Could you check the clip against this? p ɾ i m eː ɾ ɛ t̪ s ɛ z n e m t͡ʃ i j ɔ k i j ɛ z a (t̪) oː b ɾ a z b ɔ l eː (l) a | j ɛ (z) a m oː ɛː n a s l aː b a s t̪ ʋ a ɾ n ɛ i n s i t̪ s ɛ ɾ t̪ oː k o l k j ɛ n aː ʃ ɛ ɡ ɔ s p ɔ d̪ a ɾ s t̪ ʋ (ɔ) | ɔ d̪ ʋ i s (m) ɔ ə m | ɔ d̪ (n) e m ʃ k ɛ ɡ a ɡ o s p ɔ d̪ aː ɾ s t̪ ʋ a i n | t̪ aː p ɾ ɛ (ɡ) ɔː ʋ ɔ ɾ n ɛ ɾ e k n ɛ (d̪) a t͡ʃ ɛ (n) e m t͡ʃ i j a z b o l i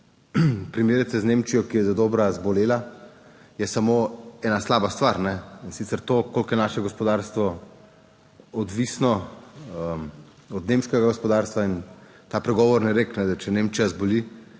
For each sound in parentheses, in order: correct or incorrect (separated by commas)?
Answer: incorrect, correct, incorrect, correct, incorrect, correct, correct, correct, correct